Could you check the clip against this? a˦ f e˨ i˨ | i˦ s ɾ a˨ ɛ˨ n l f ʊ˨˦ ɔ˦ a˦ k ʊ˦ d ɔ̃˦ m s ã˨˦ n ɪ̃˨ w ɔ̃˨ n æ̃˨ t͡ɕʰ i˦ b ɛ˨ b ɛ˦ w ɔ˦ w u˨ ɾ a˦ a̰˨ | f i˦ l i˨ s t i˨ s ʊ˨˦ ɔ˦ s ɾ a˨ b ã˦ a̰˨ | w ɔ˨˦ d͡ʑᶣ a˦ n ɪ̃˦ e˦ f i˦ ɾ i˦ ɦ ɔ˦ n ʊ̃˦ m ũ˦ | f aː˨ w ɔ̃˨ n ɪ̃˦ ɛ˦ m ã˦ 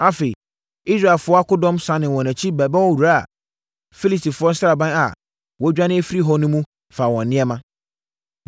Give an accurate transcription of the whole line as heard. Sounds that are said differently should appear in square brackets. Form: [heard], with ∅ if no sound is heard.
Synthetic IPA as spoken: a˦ f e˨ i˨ | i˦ s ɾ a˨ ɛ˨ [∅] l f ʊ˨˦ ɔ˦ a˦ k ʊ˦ d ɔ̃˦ m s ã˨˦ n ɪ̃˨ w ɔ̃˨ n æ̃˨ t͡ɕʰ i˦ b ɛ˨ b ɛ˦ w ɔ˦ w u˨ ɾ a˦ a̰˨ | f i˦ l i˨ s t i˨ [f] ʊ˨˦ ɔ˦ s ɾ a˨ b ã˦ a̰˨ | w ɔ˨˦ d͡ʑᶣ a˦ n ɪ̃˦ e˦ f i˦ ɾ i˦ ɦ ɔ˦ n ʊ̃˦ m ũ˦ | f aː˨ w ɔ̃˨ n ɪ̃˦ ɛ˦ m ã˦

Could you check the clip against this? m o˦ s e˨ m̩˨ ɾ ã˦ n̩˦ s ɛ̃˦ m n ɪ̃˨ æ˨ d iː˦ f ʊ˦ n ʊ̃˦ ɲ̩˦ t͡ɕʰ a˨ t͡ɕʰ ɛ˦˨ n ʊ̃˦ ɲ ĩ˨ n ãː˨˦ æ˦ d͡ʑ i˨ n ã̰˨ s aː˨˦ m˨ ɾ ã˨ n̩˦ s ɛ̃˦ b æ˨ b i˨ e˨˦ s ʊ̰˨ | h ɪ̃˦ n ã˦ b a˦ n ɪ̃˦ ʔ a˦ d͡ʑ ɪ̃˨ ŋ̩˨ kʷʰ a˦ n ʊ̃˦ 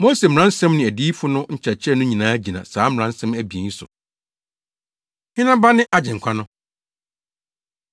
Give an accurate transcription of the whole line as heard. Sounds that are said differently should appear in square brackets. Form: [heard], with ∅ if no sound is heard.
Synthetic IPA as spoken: m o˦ s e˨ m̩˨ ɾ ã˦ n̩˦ s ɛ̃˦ m n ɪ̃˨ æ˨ d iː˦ f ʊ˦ n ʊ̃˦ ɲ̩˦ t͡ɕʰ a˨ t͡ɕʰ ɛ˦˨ n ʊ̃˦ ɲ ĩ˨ n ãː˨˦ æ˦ d͡ʑ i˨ n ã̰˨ s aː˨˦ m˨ ɾ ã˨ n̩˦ s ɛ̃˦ [m] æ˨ b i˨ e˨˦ s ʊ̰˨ | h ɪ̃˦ n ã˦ b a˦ n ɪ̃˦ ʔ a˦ d͡ʑ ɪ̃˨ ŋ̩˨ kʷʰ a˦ n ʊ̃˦

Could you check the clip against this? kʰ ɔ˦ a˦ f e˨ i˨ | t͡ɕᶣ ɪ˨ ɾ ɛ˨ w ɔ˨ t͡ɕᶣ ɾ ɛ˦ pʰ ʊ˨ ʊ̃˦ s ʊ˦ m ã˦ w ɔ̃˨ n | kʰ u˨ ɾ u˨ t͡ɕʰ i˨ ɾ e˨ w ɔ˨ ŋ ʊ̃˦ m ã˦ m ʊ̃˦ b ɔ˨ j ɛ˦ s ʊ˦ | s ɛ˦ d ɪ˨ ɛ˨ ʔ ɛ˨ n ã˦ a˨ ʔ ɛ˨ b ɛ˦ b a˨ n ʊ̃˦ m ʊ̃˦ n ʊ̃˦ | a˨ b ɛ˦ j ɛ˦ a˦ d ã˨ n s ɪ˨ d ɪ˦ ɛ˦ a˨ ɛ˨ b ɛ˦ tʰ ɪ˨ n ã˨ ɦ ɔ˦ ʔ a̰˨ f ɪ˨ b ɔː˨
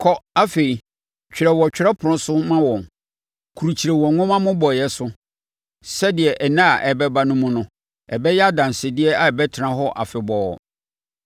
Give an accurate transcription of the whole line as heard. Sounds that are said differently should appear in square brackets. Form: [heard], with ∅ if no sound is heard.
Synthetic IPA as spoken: kʰ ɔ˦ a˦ f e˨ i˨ | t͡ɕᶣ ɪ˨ ɾ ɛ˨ w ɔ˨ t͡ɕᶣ ɾ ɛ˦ pʰ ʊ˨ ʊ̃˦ s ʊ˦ m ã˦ w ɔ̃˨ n | kʰ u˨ ɾ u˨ t͡ɕʰ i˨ ɾ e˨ w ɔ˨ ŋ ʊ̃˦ m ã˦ m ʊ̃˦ b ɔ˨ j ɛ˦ s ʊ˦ | s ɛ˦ d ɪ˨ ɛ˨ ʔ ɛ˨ n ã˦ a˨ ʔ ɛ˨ b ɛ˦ b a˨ n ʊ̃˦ m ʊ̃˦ n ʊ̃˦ | [ɛ˨] b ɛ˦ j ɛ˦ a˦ d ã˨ n s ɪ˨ d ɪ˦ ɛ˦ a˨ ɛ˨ b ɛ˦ tʰ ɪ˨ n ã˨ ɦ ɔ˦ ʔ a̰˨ f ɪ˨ b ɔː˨

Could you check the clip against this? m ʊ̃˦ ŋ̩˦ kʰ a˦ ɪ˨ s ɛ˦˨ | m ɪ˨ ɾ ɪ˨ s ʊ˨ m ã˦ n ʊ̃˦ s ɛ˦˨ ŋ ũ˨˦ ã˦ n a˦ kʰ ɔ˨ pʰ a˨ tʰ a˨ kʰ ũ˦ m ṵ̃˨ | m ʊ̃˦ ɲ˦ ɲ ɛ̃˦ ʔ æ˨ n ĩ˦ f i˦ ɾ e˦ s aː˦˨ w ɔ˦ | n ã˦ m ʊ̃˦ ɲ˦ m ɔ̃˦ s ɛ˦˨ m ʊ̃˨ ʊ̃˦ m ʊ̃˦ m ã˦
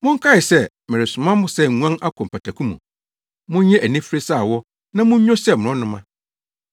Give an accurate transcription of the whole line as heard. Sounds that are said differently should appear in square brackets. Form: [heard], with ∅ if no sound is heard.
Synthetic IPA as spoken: m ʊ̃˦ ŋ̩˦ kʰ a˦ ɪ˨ s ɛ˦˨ | m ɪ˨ ɾ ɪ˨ s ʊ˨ m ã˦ [m] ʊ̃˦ s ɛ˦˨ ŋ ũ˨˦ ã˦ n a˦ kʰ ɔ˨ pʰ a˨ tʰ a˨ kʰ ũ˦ m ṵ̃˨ | m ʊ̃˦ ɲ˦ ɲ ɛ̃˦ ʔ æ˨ n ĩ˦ f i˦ ɾ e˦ s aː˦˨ w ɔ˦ | n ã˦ m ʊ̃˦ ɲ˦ [ɲ] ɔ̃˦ s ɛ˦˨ m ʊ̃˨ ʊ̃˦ [n] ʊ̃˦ m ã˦

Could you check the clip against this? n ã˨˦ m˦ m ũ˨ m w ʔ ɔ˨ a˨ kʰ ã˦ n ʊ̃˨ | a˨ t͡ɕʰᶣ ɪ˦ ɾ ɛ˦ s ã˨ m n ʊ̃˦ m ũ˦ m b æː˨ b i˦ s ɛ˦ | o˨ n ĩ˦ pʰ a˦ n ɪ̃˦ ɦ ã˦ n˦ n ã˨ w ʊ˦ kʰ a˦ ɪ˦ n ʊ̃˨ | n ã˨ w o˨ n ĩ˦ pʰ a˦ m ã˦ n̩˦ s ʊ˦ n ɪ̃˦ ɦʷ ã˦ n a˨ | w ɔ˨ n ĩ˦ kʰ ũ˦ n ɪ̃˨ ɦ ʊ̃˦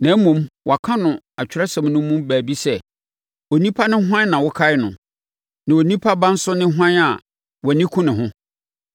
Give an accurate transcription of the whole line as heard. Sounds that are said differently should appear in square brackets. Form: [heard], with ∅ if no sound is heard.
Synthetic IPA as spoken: n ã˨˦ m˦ m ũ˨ m w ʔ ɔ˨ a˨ kʰ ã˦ n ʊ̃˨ | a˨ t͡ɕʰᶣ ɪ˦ ɾ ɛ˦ s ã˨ m n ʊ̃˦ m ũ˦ m b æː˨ b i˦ s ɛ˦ | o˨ n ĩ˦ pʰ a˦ n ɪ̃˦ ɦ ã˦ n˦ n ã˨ w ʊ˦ kʰ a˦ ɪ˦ n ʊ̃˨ | n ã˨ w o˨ n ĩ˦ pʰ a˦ [b] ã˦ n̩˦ s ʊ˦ n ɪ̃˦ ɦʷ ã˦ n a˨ | w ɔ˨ n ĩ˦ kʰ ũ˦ n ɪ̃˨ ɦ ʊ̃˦

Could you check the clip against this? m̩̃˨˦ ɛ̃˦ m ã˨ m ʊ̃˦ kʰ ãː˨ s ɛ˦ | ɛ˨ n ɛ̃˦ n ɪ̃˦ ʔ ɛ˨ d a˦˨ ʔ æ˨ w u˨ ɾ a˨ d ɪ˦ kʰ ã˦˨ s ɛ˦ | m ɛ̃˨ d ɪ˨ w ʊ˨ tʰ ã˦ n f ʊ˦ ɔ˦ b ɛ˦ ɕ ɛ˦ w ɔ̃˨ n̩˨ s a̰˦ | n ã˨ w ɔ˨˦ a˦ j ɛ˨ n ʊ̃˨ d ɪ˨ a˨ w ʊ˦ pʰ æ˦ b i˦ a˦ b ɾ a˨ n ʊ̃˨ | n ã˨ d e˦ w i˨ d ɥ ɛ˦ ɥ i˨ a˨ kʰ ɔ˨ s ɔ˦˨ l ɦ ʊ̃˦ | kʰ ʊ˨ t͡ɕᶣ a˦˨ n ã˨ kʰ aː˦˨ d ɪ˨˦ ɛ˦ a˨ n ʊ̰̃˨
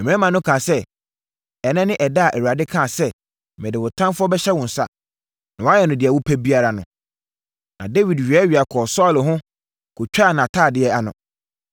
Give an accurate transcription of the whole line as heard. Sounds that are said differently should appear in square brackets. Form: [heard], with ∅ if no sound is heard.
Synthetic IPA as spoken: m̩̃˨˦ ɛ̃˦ m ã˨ [n] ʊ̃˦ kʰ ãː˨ s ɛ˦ | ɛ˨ n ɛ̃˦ n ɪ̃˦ ʔ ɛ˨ d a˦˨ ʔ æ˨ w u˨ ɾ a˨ d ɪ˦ kʰ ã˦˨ s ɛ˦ | m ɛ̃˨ d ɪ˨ w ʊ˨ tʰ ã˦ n f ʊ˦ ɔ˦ b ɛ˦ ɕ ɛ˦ w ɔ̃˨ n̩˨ s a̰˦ | n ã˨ w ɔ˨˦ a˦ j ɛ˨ n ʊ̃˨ d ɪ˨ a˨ w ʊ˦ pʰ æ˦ b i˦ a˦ [∅] ɾ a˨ n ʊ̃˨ | n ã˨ d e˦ w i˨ d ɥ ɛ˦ ɥ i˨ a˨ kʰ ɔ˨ s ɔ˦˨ l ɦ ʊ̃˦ | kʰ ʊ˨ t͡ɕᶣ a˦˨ n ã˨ [tʰ] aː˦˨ d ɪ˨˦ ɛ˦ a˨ n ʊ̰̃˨

